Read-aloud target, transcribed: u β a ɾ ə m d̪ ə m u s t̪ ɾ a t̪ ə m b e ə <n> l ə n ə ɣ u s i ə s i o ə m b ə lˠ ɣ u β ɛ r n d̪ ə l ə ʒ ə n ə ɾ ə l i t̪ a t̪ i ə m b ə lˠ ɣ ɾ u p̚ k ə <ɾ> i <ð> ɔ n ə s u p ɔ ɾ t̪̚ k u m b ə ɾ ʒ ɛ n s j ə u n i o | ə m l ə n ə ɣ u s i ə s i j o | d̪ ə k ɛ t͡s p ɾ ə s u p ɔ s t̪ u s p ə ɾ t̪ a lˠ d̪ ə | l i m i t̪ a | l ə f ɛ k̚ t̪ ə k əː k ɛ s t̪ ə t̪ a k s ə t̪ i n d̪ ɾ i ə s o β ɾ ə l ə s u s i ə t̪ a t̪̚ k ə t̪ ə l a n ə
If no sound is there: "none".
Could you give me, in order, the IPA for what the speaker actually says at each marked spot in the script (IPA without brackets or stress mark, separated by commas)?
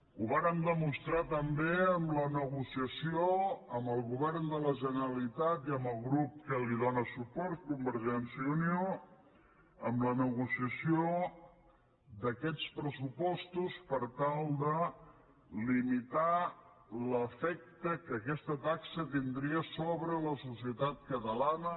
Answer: m, l, ð